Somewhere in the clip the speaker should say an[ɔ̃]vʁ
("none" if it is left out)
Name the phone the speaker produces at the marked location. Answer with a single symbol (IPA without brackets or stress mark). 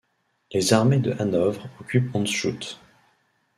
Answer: ɔ